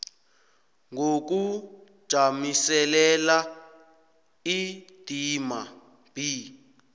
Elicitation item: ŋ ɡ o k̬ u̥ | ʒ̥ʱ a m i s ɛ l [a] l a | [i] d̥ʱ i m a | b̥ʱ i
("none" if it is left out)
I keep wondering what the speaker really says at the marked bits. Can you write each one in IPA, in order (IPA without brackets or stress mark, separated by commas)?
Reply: ɛ, i